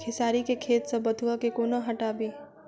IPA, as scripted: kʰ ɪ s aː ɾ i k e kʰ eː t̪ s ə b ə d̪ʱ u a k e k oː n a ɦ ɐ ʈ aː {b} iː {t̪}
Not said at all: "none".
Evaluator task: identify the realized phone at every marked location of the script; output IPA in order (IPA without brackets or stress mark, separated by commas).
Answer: b, none